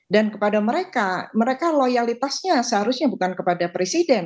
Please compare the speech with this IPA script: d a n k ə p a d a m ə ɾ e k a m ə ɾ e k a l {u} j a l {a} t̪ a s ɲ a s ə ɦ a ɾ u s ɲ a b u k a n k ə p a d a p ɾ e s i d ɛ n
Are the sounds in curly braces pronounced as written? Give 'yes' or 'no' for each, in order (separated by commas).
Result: no, no